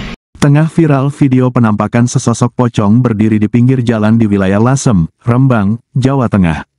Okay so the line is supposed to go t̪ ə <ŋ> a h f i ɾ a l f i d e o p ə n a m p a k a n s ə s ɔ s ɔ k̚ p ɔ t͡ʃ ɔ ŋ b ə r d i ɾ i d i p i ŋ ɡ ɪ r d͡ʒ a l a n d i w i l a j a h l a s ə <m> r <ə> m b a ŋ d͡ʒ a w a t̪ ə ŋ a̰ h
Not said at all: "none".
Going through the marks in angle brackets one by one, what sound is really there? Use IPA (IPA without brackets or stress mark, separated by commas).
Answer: ŋ, m, ə